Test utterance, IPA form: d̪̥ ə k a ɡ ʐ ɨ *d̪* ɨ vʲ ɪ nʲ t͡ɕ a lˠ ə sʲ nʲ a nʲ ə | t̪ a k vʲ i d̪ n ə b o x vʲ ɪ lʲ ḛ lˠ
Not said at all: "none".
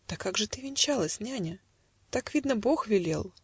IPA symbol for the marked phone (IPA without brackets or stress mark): t̪